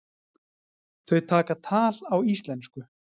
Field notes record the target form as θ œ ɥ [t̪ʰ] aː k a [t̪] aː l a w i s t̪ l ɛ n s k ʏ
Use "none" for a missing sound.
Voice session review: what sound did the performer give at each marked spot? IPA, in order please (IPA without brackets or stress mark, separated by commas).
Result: t̪ʰ, t̪ʰ